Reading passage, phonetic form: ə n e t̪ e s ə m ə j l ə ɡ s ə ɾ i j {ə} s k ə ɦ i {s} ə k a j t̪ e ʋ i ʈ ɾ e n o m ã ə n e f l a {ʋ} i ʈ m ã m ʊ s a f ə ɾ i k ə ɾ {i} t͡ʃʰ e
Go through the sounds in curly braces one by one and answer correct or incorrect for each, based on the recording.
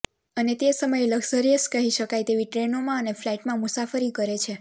correct, incorrect, incorrect, incorrect

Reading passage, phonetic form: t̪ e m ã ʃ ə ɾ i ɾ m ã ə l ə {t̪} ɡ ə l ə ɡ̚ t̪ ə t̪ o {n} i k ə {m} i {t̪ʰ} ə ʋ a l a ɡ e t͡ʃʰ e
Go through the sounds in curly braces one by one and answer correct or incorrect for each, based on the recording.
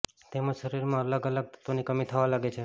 incorrect, correct, correct, correct

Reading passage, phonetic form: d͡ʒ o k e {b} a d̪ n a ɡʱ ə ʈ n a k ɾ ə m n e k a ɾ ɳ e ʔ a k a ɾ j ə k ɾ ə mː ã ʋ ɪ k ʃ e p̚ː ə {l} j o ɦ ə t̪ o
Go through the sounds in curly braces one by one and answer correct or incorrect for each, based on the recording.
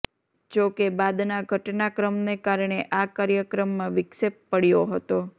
correct, incorrect

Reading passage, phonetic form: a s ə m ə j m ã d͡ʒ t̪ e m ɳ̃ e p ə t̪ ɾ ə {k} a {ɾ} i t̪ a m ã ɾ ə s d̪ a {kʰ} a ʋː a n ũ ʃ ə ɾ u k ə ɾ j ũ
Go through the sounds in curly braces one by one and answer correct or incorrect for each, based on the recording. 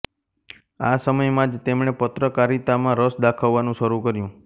correct, correct, correct

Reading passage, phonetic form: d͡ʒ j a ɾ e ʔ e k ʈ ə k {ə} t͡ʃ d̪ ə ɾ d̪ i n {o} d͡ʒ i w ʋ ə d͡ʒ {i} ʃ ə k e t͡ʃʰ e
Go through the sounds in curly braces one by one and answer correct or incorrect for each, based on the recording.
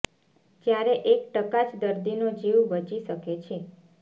incorrect, correct, correct

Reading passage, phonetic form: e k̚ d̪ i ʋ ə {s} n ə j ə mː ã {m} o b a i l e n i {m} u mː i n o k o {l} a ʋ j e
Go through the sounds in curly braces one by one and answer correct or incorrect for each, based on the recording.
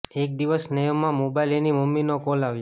correct, correct, correct, correct

